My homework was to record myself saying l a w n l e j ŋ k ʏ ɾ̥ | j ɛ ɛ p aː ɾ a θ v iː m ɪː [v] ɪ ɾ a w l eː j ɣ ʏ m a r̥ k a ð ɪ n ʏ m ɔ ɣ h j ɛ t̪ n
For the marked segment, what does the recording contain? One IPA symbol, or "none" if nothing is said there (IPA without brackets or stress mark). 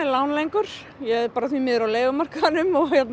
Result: ð